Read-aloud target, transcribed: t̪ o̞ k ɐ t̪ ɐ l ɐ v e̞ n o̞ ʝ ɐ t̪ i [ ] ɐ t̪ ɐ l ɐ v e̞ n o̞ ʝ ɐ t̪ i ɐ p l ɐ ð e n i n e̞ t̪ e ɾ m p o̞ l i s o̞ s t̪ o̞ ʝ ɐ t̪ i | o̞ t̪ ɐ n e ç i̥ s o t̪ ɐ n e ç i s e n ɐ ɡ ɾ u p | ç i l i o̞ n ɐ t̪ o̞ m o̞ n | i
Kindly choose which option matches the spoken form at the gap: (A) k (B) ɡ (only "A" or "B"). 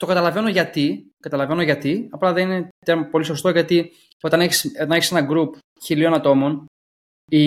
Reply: A